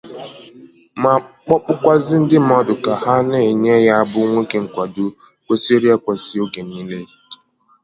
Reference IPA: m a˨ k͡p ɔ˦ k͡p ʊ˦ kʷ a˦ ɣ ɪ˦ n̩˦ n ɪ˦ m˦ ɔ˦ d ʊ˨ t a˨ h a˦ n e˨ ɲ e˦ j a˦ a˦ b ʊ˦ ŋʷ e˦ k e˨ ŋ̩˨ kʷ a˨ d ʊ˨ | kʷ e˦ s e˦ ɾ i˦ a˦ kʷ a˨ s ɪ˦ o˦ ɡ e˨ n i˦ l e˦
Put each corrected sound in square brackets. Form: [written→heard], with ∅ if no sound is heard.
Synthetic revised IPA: m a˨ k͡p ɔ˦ k͡p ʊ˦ kʷ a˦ [ɣ→z] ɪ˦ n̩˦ [n→d] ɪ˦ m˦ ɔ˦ d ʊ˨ [t→k] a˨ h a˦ n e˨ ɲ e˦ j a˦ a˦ b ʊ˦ ŋʷ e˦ k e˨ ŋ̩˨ kʷ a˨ d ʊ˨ | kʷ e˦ s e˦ ɾ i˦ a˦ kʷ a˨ s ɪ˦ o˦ ɡ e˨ n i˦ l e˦